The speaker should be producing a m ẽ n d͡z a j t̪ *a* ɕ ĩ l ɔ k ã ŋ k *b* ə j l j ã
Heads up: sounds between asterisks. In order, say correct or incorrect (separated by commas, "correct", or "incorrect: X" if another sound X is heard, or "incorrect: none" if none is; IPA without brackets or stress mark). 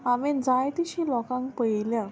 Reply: incorrect: i, incorrect: p